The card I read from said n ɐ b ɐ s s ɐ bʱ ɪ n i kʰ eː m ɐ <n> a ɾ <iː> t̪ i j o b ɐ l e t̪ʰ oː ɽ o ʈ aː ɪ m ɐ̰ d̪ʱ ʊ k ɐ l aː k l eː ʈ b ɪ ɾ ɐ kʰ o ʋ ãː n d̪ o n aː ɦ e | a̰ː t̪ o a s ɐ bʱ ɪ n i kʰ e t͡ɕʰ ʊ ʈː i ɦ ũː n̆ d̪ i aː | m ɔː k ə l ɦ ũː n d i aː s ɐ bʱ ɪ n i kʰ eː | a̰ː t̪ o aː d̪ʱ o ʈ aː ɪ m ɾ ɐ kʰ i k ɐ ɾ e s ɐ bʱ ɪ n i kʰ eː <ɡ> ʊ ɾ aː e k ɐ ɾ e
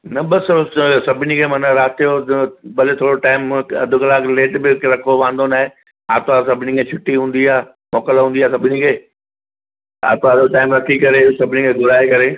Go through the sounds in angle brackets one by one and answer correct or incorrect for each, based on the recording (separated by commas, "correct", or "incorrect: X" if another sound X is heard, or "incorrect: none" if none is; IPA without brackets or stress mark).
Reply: correct, incorrect: aː, correct